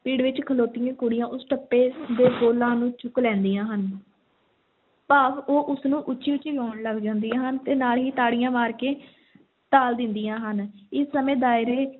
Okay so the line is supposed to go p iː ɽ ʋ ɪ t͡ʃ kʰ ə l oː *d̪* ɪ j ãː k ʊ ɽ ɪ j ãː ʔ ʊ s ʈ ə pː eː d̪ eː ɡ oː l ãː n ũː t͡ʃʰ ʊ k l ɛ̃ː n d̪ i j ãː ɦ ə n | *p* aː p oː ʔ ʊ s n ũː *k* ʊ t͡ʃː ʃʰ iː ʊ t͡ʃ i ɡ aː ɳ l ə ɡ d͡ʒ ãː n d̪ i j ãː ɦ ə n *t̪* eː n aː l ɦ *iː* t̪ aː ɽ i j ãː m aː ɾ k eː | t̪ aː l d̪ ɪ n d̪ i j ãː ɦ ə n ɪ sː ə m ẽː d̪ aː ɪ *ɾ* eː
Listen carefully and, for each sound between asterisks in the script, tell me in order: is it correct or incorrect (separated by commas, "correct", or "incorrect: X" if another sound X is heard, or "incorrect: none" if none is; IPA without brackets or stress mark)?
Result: incorrect: t̪, correct, incorrect: ʔ, correct, correct, correct